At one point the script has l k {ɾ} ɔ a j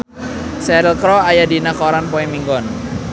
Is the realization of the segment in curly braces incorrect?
no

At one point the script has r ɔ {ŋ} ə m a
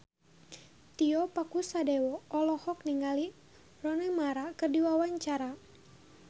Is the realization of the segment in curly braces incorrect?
yes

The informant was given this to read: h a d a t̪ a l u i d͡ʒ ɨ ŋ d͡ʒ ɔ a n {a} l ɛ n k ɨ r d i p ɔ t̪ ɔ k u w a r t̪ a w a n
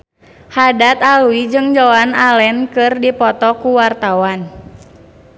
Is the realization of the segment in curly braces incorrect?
no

